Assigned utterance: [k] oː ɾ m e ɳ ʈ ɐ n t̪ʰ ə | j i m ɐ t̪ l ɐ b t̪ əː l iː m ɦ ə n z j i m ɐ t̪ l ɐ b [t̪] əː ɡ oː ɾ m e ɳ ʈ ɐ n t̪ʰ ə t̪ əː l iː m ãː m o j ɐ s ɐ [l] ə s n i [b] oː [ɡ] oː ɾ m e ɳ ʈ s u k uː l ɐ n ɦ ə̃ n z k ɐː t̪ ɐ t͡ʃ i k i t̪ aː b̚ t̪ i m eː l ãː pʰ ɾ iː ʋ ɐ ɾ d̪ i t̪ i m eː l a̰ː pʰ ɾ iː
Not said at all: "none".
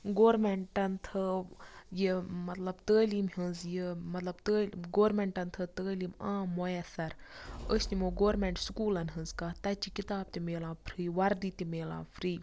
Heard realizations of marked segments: ɡ, t̪, ɾ, m, ɡ

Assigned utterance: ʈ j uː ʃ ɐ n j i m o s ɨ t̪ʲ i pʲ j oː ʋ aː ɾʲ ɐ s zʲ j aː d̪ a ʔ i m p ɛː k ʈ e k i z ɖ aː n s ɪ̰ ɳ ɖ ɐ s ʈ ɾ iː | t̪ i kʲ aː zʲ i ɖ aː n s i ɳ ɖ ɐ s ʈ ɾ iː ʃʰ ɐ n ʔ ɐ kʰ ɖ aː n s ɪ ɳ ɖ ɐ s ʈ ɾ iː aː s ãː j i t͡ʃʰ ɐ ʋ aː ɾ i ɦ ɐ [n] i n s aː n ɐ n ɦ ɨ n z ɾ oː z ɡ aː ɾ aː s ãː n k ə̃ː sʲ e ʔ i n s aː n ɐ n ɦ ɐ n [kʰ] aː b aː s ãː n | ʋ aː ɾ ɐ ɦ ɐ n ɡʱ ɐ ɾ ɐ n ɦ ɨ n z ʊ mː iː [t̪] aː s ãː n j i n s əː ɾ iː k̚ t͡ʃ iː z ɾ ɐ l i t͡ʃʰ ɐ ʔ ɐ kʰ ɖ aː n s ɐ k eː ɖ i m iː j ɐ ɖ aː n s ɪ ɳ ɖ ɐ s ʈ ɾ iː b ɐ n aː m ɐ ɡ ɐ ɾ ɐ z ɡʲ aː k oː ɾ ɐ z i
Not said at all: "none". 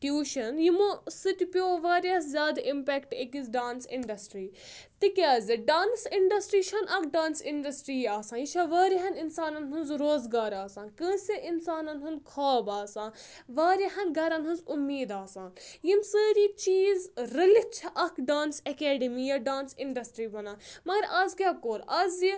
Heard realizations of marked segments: n, kʰ, d̪

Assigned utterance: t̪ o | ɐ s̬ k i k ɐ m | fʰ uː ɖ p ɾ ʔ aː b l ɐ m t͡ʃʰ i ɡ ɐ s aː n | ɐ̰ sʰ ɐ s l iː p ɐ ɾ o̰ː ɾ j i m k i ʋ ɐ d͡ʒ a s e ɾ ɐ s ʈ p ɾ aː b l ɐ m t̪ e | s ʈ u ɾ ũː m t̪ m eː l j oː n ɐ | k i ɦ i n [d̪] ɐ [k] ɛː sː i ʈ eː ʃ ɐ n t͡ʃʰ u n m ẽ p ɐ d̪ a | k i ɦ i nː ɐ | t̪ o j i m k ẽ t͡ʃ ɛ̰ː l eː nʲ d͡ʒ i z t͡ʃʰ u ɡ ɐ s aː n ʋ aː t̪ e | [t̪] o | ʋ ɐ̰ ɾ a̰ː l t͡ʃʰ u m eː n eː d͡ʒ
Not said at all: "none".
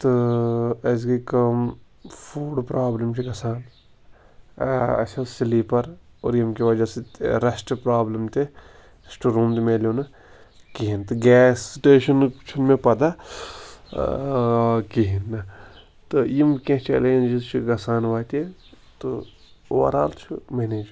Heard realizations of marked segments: t̪, ɡ, t̪

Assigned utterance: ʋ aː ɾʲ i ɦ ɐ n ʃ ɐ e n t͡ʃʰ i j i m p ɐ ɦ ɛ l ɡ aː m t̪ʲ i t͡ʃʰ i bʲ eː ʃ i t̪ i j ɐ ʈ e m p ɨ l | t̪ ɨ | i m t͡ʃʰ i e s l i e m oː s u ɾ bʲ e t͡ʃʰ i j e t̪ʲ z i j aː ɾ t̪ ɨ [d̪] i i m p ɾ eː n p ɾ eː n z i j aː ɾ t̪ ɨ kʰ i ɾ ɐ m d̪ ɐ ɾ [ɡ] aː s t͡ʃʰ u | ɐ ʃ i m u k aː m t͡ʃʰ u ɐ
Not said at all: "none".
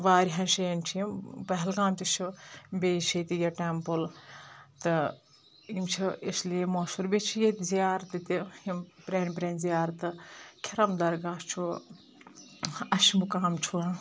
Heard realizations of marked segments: t̪, ɡ

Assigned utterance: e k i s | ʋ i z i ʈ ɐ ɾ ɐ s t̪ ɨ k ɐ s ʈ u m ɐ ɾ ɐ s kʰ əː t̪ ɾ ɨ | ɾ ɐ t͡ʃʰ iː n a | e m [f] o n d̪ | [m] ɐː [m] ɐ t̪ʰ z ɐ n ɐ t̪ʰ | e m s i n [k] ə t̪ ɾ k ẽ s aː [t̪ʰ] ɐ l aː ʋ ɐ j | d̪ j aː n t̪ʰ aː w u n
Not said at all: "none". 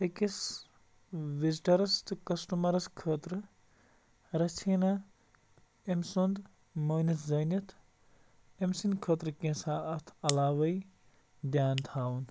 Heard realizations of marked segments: s, m, n, kʰ, t̪ʰ

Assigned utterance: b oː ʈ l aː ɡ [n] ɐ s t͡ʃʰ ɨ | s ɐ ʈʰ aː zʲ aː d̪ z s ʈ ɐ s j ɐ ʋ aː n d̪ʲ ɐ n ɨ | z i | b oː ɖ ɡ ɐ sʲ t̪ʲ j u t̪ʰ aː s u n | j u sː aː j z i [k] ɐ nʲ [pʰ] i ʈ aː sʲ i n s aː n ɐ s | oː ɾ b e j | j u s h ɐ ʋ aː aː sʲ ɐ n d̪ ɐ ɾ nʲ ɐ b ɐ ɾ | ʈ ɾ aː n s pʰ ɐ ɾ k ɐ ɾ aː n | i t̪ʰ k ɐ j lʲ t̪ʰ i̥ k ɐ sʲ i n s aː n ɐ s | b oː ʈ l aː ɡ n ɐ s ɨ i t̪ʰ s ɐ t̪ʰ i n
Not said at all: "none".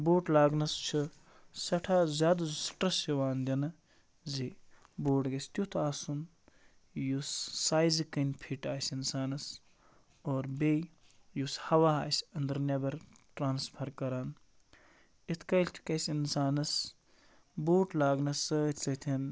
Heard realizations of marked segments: n, k, pʰ

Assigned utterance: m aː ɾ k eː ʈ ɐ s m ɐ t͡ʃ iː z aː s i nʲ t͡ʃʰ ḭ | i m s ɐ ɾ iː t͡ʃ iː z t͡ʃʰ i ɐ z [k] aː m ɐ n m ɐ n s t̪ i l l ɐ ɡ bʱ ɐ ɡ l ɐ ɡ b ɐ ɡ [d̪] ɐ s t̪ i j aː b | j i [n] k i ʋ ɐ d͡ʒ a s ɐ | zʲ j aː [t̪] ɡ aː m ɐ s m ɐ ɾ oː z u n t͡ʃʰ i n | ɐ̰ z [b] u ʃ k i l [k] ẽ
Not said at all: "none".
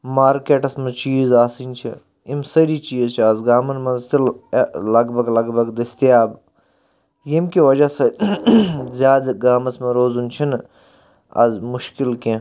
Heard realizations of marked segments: ɡ, d̪, m, d̪, m, k

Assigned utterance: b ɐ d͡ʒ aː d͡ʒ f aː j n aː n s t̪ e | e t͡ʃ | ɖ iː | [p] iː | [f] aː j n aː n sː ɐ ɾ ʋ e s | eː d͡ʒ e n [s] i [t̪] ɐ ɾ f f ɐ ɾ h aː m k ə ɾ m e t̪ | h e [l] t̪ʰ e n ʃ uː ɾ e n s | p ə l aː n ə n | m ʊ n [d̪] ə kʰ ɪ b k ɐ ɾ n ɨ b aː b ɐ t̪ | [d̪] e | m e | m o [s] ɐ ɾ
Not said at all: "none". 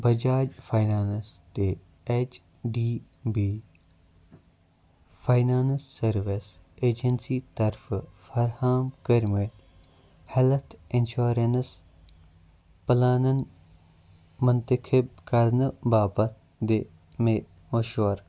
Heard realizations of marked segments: b, f, s, t̪, l, t̪, d̪, ʃ

